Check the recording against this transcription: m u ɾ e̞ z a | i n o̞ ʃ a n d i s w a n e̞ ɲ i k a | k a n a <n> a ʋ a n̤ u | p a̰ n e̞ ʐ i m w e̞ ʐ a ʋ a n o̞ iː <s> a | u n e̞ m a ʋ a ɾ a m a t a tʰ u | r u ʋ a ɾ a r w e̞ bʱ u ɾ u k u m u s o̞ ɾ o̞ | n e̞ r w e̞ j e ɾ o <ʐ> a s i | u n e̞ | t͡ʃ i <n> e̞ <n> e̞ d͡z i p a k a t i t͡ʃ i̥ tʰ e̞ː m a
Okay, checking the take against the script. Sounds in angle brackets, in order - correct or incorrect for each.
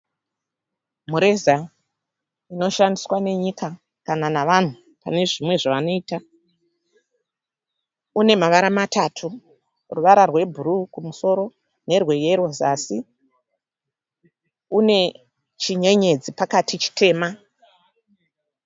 correct, incorrect, incorrect, incorrect, incorrect

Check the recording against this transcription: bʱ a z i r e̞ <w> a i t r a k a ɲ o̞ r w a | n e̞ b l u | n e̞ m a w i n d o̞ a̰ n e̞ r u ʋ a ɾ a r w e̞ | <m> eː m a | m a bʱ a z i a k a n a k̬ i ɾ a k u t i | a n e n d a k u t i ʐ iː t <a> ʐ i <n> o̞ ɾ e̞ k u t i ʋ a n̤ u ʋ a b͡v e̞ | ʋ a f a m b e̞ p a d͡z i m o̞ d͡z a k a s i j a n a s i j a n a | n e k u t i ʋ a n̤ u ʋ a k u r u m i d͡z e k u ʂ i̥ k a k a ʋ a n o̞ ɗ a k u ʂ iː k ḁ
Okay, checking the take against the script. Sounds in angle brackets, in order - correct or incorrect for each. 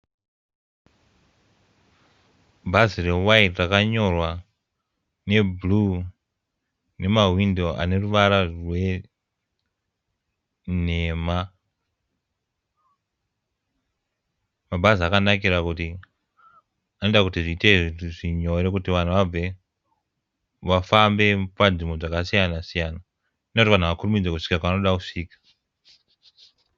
correct, incorrect, incorrect, incorrect

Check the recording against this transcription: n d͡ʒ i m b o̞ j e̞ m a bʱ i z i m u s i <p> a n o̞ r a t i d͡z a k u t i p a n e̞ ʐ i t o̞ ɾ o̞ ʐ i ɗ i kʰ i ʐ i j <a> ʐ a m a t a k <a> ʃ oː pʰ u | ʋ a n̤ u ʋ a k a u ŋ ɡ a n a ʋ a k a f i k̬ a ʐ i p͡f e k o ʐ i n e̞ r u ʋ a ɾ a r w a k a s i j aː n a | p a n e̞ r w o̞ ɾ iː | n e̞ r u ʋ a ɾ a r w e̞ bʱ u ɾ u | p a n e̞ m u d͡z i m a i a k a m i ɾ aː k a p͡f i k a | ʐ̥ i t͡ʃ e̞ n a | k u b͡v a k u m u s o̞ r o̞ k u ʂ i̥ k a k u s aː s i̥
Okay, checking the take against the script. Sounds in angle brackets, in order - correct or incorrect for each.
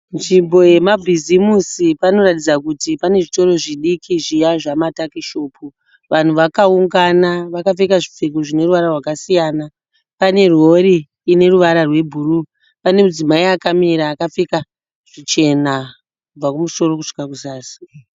correct, correct, incorrect

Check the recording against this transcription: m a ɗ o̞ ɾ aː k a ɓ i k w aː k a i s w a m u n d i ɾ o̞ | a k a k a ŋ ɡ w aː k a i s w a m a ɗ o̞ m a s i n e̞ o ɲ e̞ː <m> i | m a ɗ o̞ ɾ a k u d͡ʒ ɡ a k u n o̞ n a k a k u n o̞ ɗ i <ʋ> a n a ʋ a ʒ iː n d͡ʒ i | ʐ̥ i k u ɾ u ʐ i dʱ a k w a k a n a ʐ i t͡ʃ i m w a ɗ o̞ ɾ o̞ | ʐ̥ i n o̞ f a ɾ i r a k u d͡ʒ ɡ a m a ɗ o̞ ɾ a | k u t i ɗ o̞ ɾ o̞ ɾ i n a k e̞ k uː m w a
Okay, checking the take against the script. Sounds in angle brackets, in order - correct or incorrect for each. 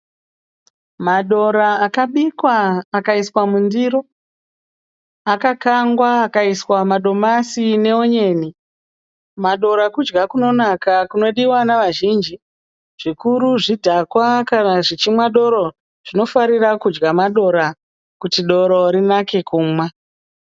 incorrect, incorrect

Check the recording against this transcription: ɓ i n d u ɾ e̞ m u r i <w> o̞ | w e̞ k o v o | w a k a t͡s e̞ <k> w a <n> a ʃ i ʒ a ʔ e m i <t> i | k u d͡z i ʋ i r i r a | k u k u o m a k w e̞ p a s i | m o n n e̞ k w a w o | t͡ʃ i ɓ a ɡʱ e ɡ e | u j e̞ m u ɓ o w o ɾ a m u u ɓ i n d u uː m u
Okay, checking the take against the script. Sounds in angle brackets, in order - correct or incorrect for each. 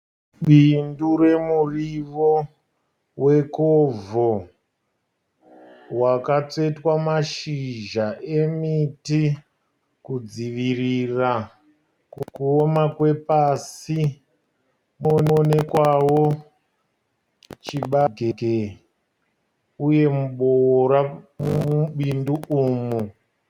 incorrect, incorrect, incorrect, correct

